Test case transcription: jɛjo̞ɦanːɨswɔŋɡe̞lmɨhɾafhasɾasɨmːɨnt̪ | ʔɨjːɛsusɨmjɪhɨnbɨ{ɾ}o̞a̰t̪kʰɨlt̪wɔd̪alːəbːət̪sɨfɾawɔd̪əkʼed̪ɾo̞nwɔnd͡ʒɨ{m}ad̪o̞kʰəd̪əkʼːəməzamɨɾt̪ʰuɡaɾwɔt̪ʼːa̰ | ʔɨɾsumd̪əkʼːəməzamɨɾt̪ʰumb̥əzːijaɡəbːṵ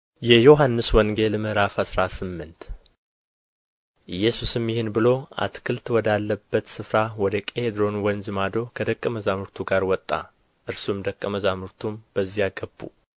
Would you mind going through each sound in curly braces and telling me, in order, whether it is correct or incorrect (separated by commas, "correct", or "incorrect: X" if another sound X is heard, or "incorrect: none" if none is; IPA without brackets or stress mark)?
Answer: incorrect: l, correct